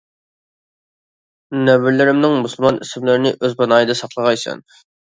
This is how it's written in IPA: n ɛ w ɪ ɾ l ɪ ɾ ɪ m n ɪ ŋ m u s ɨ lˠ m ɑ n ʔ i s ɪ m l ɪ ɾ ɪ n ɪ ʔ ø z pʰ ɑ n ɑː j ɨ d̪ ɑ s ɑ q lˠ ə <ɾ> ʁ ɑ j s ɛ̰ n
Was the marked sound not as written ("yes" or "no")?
yes